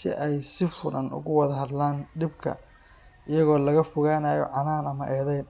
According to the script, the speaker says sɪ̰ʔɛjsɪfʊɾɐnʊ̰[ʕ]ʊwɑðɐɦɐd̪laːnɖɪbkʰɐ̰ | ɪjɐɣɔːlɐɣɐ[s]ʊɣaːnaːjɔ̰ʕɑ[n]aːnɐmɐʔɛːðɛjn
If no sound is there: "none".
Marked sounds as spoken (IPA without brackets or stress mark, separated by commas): ɣ, f, n